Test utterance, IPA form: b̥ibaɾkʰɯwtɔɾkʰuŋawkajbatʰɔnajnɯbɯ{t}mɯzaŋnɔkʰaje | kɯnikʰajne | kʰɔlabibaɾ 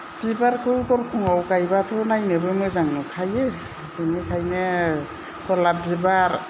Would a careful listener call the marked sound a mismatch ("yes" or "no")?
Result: yes